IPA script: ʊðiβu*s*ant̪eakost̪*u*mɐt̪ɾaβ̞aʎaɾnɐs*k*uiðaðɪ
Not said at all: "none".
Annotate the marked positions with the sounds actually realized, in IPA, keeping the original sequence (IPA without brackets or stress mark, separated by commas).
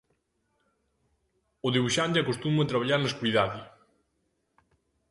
ʃ, u, k